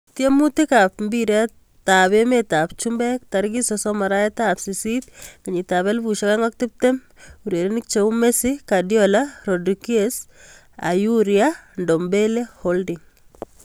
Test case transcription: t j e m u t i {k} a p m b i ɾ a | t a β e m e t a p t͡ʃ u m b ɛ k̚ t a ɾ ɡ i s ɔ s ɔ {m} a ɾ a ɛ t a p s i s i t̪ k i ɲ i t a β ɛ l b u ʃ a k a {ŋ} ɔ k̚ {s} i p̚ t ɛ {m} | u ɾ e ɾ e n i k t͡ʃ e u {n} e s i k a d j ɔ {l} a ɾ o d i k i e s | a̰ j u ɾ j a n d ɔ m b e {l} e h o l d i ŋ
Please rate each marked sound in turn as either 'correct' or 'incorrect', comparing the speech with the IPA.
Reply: correct, correct, correct, incorrect, correct, incorrect, correct, correct

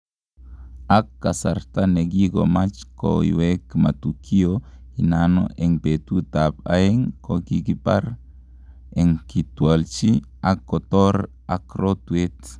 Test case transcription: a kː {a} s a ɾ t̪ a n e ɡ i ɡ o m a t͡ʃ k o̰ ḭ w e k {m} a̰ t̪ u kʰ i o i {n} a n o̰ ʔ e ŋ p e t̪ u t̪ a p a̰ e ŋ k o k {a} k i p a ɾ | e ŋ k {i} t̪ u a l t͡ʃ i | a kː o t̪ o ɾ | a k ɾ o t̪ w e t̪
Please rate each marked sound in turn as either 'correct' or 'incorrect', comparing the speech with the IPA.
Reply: correct, correct, correct, incorrect, correct

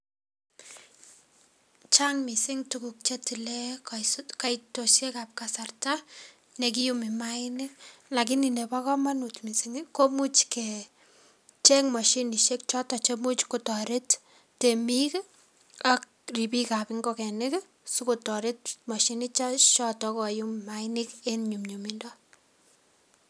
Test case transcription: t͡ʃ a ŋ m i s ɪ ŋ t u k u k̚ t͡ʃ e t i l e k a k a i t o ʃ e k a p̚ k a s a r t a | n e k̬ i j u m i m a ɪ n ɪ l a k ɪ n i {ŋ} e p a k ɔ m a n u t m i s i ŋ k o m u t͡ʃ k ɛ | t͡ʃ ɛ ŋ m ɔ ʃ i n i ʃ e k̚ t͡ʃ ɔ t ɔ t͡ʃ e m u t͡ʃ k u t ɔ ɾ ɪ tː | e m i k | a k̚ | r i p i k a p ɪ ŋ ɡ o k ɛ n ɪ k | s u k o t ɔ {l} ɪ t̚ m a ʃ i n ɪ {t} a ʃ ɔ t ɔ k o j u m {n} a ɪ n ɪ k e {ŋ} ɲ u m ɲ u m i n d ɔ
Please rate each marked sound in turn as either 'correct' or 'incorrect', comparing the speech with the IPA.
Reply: incorrect, incorrect, incorrect, incorrect, incorrect

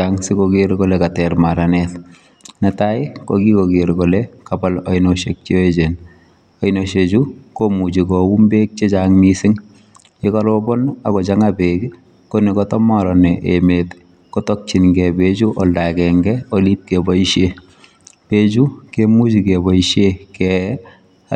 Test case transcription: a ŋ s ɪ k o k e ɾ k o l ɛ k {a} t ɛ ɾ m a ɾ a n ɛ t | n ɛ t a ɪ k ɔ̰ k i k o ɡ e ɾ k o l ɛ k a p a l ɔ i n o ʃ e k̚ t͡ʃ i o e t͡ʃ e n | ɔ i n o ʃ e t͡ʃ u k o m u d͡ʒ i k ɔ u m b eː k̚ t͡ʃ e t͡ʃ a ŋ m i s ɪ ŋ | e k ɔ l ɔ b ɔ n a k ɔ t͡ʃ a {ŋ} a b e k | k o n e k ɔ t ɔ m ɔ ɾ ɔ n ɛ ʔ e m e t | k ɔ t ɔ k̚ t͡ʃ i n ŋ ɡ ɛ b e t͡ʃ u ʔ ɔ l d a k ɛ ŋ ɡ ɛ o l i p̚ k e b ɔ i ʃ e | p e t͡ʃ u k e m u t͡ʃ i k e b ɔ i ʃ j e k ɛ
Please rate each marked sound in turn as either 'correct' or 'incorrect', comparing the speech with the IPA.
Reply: correct, correct

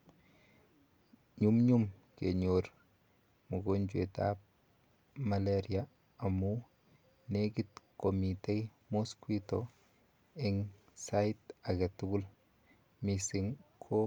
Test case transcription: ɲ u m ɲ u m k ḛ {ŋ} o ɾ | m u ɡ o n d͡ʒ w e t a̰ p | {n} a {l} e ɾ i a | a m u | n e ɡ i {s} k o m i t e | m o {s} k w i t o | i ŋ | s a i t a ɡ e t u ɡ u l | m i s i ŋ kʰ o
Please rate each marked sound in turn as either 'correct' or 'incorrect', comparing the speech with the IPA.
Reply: incorrect, incorrect, correct, incorrect, correct

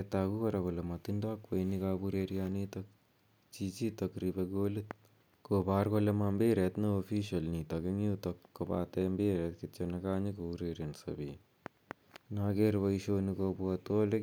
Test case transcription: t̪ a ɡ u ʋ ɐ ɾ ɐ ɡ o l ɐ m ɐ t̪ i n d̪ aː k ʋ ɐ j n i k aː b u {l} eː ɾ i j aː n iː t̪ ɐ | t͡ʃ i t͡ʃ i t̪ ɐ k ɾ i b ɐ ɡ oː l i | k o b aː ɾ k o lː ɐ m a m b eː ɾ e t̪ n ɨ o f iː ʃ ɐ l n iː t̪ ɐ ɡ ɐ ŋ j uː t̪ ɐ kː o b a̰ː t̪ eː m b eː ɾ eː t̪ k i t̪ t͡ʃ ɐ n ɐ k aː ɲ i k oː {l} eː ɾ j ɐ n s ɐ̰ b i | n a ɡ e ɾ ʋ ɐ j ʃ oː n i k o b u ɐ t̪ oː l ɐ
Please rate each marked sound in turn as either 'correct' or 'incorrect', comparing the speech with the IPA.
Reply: incorrect, incorrect

